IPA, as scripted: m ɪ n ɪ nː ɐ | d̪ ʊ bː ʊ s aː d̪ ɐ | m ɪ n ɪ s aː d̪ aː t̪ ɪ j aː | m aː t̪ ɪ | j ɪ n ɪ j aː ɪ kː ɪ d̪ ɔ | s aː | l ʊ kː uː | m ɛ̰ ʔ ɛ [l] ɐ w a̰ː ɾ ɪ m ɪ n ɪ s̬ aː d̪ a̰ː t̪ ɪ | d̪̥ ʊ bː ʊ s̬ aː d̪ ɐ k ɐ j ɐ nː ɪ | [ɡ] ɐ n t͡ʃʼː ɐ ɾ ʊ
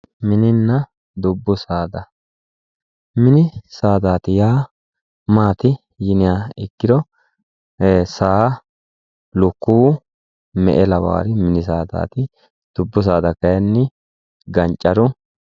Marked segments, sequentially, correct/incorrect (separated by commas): correct, correct